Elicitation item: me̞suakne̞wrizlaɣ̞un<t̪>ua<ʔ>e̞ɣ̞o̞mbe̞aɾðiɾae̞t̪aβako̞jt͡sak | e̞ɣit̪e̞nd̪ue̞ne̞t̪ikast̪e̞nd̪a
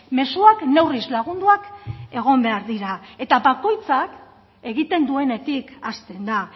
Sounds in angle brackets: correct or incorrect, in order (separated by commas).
incorrect, incorrect